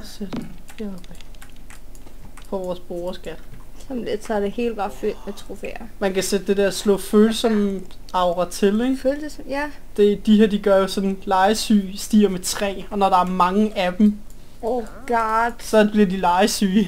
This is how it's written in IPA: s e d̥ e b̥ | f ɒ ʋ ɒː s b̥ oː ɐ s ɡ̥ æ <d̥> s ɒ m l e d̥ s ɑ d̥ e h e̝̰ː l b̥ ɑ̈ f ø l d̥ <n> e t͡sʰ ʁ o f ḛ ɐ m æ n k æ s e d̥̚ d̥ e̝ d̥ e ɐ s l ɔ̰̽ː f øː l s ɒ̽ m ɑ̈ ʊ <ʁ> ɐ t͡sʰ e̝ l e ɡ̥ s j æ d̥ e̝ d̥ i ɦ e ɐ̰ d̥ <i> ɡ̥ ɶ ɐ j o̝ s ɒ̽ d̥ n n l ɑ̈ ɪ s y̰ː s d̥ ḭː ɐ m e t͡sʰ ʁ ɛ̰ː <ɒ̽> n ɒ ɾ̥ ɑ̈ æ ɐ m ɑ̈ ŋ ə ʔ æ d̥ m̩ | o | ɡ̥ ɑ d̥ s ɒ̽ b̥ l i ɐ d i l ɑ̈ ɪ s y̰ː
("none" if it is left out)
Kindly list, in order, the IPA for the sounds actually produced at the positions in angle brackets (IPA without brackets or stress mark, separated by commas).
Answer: d̥, m, ʁ, i, ɒ̽